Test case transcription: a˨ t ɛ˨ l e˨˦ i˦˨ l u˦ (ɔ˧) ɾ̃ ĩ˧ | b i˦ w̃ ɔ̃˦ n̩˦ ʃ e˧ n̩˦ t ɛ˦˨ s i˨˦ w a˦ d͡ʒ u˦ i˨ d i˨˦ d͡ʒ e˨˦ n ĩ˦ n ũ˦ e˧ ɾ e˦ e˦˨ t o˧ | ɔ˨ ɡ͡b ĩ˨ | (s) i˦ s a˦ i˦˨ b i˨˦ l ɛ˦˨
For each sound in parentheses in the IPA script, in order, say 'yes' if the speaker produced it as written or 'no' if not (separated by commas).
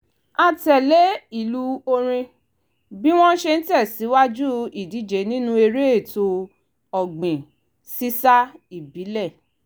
no, yes